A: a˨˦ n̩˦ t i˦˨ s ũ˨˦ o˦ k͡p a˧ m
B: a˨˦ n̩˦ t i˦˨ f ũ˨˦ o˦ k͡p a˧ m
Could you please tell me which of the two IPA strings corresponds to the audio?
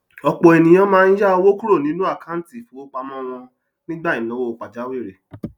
B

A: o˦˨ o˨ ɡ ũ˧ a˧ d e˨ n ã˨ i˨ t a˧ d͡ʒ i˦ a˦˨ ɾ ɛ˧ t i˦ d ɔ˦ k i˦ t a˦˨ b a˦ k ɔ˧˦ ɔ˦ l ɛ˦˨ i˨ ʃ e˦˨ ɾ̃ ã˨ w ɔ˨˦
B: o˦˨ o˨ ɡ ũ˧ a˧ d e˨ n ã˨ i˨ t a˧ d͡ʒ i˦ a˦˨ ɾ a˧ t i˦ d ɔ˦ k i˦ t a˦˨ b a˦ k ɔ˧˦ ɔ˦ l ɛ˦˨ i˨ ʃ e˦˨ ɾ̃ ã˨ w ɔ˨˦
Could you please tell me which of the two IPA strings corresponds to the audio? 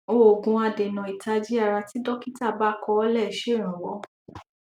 B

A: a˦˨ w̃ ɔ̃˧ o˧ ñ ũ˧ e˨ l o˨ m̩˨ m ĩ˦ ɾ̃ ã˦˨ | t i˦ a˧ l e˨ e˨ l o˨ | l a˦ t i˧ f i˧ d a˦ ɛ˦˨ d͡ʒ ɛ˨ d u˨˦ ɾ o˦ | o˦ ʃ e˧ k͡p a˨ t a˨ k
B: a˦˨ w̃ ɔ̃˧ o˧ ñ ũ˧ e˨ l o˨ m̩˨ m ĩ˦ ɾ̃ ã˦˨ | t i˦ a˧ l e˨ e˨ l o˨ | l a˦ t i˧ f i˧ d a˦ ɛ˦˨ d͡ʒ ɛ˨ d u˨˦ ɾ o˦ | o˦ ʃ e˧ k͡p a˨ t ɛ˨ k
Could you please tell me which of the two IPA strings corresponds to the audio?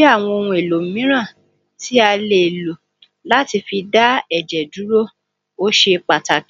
A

